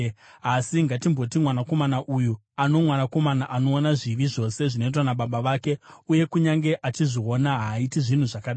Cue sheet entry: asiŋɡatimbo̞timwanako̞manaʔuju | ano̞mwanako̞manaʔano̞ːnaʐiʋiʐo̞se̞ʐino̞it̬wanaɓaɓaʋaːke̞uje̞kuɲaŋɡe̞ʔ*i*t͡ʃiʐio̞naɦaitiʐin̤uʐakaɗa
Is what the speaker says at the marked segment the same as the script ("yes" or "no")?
no